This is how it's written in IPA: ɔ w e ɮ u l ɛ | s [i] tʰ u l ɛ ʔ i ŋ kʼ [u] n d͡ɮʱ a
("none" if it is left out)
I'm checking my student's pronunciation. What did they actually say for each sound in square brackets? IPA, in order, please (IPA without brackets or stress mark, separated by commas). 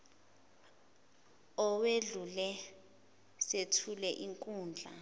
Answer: e, uː